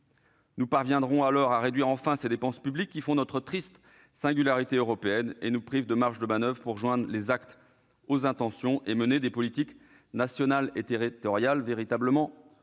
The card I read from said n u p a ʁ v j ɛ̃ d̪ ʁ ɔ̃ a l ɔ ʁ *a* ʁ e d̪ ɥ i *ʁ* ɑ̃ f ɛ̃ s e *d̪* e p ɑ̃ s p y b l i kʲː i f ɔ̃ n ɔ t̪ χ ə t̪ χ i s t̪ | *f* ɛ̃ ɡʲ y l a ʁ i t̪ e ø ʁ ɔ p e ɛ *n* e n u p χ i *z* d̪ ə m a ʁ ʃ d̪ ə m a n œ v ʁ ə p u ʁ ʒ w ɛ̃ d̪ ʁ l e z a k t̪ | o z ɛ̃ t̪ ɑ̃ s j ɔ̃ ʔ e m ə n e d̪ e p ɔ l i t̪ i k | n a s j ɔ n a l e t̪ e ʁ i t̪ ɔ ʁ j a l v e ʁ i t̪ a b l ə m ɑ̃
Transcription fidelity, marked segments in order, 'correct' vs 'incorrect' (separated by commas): correct, correct, correct, incorrect, correct, incorrect